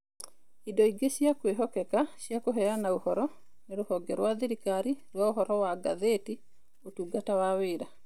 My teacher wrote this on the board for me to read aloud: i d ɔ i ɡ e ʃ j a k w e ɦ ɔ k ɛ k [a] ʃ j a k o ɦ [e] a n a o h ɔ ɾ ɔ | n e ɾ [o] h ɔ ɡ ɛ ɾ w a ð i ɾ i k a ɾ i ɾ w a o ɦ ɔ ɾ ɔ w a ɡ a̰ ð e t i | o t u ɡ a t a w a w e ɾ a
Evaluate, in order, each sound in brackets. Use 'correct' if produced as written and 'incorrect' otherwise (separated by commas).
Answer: correct, incorrect, correct